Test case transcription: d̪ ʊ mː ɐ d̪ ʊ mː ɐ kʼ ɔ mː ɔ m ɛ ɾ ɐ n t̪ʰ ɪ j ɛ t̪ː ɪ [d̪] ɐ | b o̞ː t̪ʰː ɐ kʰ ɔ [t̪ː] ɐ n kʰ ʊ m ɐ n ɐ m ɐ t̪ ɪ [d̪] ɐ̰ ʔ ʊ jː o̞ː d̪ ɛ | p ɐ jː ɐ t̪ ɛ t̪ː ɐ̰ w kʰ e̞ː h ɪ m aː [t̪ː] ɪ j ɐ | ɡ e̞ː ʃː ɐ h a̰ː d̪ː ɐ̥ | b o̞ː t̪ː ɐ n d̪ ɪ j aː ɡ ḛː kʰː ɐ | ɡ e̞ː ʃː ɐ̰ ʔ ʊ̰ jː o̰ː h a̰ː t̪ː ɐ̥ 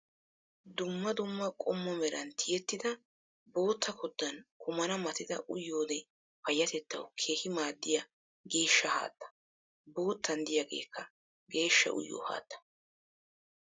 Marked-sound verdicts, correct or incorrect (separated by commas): correct, incorrect, correct, incorrect